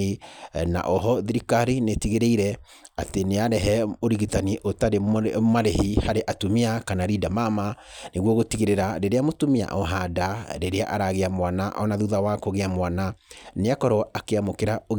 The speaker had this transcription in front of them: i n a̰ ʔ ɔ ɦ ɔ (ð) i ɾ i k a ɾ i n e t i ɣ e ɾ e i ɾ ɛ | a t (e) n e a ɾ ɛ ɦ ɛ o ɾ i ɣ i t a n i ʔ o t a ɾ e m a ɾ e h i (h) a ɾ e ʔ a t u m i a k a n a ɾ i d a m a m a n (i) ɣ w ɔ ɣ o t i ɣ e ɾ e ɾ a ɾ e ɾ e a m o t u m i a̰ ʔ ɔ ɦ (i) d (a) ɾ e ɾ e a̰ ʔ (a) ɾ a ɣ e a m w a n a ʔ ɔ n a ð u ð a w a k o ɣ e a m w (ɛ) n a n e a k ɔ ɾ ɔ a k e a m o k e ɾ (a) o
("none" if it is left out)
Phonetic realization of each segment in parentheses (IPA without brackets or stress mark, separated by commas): ð, e, h, e, a, a, a, a, a